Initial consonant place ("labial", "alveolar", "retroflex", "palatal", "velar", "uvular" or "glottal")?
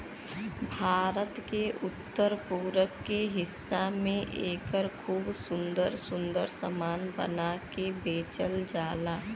labial